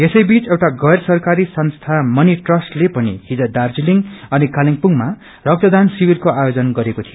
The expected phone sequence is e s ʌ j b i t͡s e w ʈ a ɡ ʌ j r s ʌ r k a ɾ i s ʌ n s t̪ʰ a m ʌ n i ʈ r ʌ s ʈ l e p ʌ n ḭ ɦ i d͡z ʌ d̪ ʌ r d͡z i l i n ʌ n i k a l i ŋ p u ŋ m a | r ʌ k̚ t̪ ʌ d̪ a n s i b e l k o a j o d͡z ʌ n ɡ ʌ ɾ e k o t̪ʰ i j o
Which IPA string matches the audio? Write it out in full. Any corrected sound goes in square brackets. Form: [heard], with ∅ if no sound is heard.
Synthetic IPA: e s ʌ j b i t͡s e w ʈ a ɡ ʌ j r s ʌ r k a ɾ i s ʌ n s t̪ʰ a m ʌ n i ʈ r ʌ s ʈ l e p ʌ n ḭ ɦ i d͡z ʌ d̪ [a] r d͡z i l i [ŋ] ʌ n i k a l i ŋ p u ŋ m a | r ʌ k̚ t̪ ʌ d̪ a n s i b [i] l k o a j o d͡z ʌ n ɡ ʌ ɾ e k o t̪ʰ i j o